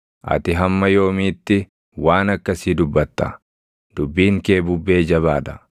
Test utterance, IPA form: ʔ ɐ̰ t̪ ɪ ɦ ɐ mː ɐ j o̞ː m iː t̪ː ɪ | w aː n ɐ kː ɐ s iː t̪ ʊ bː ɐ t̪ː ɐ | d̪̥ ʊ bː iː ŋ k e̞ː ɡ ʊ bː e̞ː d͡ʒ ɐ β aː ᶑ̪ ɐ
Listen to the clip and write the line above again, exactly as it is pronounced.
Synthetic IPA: ʔ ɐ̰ t̪ ɪ ɦ ɐ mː ɐ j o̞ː m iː t̪ː ɪ | w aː n ɐ kː ɐ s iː d̪ ʊ bː ɐ t̪ː ɐ | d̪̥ ʊ bː iː ŋ k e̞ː b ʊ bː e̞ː d͡ʒ ɐ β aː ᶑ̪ ɐ